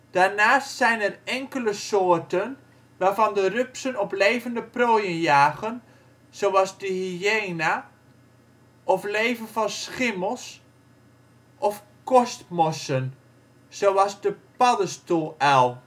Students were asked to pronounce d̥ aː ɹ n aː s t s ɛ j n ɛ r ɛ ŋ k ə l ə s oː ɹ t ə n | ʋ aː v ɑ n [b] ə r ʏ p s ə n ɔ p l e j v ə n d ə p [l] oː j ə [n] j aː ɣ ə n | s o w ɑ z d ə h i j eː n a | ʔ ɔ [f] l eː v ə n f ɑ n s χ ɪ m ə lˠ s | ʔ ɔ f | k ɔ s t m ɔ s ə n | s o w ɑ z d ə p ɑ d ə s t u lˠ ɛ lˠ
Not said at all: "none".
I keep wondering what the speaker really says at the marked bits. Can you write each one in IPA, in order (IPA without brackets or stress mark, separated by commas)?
d, r, n, f